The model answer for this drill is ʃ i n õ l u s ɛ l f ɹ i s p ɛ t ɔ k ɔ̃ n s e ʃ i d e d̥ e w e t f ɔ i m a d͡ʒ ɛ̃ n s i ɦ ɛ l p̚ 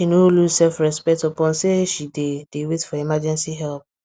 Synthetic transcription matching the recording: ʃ i n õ l u s ɛ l f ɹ ɛ s p ɛ t ɔ p ɔ̃ n s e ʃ i d e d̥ e w e t f ɔ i m a d͡ʒ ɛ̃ n s i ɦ ɛ l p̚